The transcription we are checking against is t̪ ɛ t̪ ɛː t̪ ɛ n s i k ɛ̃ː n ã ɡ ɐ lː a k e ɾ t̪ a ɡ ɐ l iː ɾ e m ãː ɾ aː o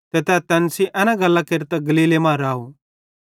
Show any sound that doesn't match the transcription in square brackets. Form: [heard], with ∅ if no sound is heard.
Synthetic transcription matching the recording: t̪ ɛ t̪ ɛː t̪ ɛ n s i [ʔ] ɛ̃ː n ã ɡ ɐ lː a k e ɾ t̪ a ɡ ɐ l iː [l] e m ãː ɾ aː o